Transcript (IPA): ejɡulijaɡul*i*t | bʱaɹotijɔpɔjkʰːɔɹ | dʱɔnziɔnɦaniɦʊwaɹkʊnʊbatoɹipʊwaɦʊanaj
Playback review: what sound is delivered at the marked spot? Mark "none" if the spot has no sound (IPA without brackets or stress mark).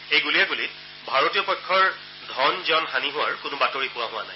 i